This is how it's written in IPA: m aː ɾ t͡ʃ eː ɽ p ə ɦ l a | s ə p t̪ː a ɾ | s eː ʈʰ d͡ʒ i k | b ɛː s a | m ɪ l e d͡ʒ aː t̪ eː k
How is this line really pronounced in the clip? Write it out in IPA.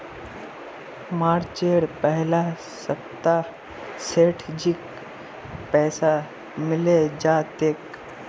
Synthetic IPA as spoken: m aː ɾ t͡ʃ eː ɽ p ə ɦ l a | s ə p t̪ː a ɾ | s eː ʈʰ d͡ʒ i k | p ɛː s a | m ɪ l e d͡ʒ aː t̪ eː k

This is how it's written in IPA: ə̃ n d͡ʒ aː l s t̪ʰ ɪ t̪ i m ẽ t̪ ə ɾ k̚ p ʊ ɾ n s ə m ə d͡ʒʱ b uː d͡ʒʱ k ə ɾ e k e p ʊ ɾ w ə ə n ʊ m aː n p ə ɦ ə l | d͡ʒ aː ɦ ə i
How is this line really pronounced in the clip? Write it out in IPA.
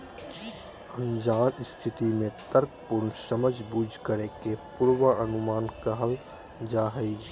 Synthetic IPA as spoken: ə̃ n d͡ʒ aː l s t̪ʰ ɪ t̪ i m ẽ t̪ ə ɾ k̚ p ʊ ɾ n s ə m ə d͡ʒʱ b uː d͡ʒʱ k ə ɾ e k e p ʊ ɾ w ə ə n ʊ m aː n k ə ɦ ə l | d͡ʒ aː ɦ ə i

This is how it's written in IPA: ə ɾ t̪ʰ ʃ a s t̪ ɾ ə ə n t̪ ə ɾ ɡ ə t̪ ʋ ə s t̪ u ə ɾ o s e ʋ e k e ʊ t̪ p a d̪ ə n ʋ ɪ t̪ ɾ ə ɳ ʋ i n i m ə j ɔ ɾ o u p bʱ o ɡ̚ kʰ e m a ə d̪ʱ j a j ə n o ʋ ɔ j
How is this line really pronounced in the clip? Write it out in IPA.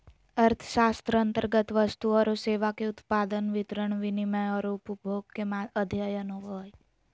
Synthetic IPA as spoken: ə ɾ t̪ʰ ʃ a s t̪ ɾ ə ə n t̪ ə ɾ ɡ ə t̪ ʋ ə s t̪ u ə ɾ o s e ʋ a k e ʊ t̪ p a d̪ ə n ʋ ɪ t̪ ɾ ə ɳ ʋ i n i m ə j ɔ ɾ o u p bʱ o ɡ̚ k e m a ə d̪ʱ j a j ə n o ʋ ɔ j

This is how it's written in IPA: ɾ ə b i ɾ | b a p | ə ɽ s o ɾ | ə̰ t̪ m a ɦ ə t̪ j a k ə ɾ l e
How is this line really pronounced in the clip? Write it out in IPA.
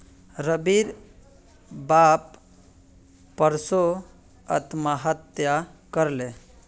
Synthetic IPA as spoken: ɾ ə b i ɾ | b a p | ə ɾ s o | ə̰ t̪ m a ɦ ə t̪ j a k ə ɾ l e

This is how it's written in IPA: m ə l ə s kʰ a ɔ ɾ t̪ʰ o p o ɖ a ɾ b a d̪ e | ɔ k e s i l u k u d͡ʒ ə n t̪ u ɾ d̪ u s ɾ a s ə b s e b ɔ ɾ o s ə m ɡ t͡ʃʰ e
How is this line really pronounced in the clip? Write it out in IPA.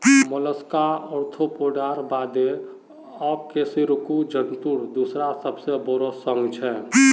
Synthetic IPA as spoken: m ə l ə s k a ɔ ɾ t̪ʰ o p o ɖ a ɾ b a d̪ e | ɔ k e s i ɾ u k u d͡ʒ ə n t̪ u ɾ d̪ u s ɾ a s ə b s e b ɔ ɾ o s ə ŋ ɡ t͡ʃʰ ɛ

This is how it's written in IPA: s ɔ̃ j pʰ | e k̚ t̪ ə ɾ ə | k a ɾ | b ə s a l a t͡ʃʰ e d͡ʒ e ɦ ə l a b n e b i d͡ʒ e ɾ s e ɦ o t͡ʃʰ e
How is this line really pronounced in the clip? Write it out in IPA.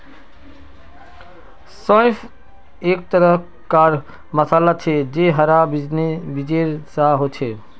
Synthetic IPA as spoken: s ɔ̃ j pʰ | e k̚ t̪ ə ɾ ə | k a ɾ | m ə s a l a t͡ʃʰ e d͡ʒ e ɦ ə ɾ a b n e b i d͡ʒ e ɾ s a ɦ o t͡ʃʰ e

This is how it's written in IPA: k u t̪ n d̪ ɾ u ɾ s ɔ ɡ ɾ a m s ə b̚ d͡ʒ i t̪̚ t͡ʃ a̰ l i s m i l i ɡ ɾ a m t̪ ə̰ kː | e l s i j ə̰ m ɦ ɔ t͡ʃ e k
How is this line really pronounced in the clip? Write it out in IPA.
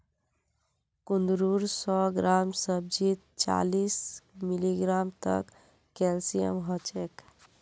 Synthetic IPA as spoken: k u n d̪ ɾ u ɾ s ɔ ɡ ɾ a m s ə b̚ d͡ʒ i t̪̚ t͡ʃ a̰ l i s m i l i ɡ ɾ a m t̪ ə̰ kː | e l s i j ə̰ m ɦ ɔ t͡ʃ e k

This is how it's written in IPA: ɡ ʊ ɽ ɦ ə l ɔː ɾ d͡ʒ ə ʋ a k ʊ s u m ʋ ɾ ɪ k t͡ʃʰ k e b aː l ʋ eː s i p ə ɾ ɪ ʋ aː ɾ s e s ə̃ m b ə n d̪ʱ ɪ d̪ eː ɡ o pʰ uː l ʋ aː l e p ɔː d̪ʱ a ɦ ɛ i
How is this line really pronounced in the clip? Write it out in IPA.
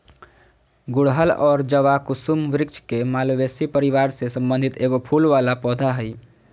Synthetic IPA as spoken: ɡ ʊ ɽ ɦ ə l ɔː ɾ d͡ʒ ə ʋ a k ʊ s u m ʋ ɾ ɪ k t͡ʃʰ k e m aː l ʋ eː s i p ə ɾ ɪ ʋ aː ɾ s e s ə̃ m b ə n d̪ʱ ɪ t̪ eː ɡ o pʰ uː l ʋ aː l a p ɔː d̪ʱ a ɦ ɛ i

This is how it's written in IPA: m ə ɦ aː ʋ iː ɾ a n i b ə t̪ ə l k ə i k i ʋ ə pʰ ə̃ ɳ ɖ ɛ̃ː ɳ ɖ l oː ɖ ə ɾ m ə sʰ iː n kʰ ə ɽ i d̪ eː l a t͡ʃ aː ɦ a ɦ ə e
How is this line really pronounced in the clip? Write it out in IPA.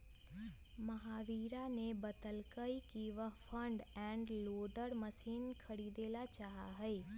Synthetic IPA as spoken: m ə ɦ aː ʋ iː ɾ a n e b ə t̪ ə l k ə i k i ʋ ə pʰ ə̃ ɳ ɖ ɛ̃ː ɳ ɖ l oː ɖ ə ɾ m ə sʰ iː n kʰ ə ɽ i d̪ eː l a t͡ʃ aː ɦ a ɦ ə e

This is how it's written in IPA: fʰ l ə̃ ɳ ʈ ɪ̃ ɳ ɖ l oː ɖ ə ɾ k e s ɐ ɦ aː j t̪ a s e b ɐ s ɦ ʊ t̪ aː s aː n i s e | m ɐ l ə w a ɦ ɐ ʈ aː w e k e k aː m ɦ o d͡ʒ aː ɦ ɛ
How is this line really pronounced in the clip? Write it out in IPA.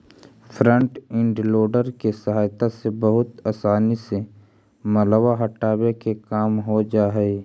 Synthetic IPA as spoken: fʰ ɾ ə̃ ɳ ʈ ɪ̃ ɳ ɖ l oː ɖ ə ɾ k e s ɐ ɦ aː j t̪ a s e b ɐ ɦ ʊ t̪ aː s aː n i s e | m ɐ l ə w a ɦ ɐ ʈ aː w e k e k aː m ɦ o d͡ʒ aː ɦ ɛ

